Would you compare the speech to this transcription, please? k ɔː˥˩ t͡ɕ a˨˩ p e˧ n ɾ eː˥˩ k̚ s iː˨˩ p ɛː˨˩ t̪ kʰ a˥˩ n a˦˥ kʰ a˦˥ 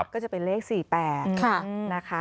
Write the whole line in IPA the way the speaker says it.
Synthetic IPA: k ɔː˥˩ t͡ɕ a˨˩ p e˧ n l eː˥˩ k̚ s iː˨˩ p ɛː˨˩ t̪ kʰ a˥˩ n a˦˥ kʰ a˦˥